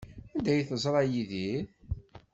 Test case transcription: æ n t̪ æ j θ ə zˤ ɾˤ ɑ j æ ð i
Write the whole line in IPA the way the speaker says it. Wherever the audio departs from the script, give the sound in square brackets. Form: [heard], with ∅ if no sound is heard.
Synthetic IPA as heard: æ n [d̪] æ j θ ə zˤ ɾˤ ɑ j [i] ð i